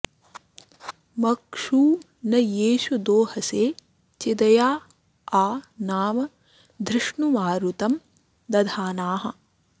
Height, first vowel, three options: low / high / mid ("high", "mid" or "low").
low